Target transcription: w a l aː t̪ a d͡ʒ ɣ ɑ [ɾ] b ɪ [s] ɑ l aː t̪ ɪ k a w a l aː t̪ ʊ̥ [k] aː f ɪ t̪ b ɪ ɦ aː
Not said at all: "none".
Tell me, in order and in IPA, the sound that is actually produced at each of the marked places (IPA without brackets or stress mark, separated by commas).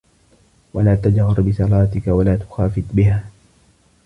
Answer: ɾ, s, x